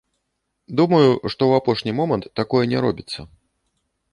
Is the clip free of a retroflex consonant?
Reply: no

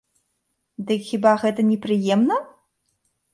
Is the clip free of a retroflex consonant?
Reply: yes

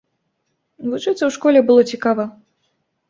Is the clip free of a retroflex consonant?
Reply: no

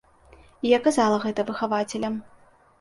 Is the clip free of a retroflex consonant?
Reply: yes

